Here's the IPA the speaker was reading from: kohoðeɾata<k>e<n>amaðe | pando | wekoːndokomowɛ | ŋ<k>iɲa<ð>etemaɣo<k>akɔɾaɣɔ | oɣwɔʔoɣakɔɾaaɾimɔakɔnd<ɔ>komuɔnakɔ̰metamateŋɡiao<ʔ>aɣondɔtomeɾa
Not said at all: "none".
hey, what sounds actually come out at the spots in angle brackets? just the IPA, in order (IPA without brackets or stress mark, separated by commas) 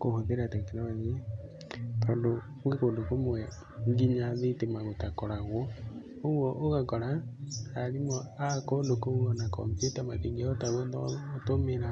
k, n, ɡ, ð, t, o, t